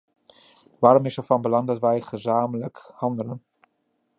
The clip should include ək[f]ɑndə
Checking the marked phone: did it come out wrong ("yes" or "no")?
yes